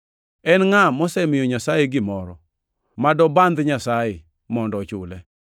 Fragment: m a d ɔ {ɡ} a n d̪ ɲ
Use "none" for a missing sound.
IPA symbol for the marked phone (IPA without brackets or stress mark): b